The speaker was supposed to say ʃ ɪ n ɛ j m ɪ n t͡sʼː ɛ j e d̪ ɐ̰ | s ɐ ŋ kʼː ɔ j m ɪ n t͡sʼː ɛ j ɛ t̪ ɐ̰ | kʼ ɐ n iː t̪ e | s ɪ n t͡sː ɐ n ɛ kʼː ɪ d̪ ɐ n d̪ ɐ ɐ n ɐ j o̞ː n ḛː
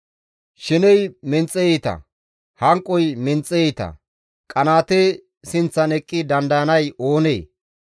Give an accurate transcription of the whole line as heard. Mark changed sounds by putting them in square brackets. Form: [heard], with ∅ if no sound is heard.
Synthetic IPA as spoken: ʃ ɪ n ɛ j m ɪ n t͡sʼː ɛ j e [t̪] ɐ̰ | [h] ɐ ŋ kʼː ɔ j m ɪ n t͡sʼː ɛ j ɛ t̪ ɐ̰ | kʼ ɐ n [aː] t̪ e | s ɪ n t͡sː ɐ n ɛ kʼː ɪ d̪ ɐ n d̪ ɐ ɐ n ɐ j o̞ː n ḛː

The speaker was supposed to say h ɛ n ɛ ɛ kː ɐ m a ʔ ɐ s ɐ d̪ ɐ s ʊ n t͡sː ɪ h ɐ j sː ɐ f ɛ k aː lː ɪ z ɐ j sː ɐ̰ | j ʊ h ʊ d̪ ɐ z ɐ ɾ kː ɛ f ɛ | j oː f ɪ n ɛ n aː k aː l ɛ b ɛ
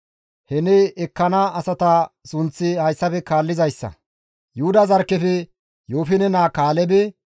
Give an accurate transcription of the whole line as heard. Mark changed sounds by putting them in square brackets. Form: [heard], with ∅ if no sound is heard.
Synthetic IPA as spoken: h ɛ n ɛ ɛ kː ɐ [n] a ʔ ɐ s ɐ [t̪] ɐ s ʊ n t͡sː ɪ h ɐ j sː ɐ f ɛ k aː lː ɪ z ɐ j sː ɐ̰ | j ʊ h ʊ d̪ ɐ z ɐ ɾ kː ɛ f ɛ | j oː f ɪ n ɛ n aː k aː l ɛ b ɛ

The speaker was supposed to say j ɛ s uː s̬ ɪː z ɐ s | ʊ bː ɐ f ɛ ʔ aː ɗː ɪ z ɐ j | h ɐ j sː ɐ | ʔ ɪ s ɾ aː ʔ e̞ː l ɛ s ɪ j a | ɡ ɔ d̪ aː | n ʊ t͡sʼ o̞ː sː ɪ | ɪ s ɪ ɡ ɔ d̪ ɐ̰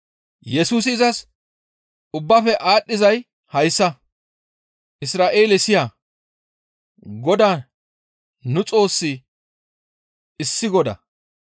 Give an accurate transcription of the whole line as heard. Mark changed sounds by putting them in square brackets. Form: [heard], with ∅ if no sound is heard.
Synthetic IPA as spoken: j ɛ s uː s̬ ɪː z ɐ s | ʊ bː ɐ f ɛ ʔ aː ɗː ɪ z ɐ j | h ɐ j sː ɐ | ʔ ɪ s ɾ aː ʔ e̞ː l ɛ s ɪ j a | ɡ ɔ d̪ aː | n ʊ t͡sʼ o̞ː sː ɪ | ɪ [sː] ɪ ɡ ɔ d̪ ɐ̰

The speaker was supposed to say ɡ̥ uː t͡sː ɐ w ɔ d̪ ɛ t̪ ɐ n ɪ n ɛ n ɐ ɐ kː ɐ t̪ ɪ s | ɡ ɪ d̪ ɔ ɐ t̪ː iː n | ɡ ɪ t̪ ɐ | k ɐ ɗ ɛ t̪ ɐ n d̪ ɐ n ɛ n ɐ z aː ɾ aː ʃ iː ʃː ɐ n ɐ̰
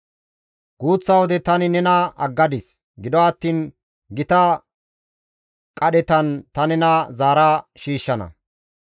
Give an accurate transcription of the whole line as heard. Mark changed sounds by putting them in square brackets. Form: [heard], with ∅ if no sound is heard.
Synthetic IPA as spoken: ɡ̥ uː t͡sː ɐ w ɔ d̪ ɛ t̪ ɐ n ɪ n ɛ n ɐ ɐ [ɡː] ɐ [d̪] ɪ s | ɡ ɪ d̪ ɔ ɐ t̪ː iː n | ɡ ɪ t̪ ɐ | [kʼ] ɐ ɗ ɛ t̪ ɐ n [t̪] ɐ n ɛ n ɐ z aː ɾ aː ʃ iː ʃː ɐ n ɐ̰

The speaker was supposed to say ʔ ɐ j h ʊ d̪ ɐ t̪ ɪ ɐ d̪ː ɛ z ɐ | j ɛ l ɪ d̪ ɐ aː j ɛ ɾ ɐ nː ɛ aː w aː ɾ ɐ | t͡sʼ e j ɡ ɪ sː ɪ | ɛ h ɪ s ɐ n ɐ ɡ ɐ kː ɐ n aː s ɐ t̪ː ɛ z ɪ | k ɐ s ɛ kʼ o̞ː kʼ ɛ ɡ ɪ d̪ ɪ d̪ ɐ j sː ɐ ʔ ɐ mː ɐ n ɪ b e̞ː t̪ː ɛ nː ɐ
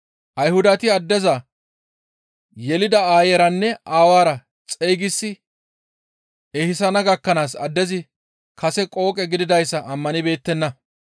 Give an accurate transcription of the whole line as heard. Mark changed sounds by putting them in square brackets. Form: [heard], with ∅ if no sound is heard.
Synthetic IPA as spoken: ʔ ɐ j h ʊ d̪ ɐ t̪ ɪ ɐ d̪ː ɛ z ɐ | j ɛ l ɪ d̪ ɐ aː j ɛ ɾ ɐ nː ɛ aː w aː ɾ ɐ | t͡sʼ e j ɡ ɪ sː ɪ | ɛ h ɪ s ɐ n ɐ ɡ ɐ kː ɐ n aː s ɐ [d̪ː] ɛ z ɪ | k ɐ s ɛ kʼ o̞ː kʼ ɛ ɡ ɪ d̪ ɪ d̪ ɐ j sː ɐ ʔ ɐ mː ɐ n ɪ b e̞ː t̪ː ɛ nː ɐ

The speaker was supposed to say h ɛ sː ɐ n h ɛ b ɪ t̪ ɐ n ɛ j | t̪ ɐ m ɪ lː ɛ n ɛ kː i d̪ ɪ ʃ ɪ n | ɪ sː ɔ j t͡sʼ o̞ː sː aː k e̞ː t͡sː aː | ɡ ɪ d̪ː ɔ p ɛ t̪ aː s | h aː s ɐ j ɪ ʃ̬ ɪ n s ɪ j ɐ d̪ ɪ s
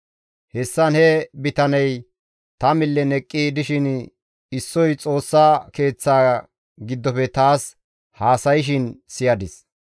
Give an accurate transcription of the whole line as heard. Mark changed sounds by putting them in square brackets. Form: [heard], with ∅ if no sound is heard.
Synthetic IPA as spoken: h ɛ sː ɐ n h ɛ b ɪ t̪ ɐ n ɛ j | t̪ ɐ m ɪ lː ɛ n ɛ [kʼː] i d̪ ɪ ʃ ɪ n | ɪ sː ɔ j t͡sʼ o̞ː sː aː k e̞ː t͡sː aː | ɡ ɪ d̪ː ɔ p ɛ t̪ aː s | h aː s ɐ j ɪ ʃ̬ ɪ n s ɪ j ɐ d̪ ɪ s

